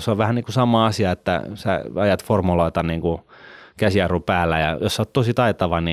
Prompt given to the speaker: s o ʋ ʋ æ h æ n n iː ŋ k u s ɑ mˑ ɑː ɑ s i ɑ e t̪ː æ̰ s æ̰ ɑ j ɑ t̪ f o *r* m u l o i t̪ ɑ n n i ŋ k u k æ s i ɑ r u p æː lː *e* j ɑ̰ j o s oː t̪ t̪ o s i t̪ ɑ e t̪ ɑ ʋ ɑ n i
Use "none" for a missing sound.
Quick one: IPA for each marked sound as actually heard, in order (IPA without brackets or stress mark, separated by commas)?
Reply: r, æ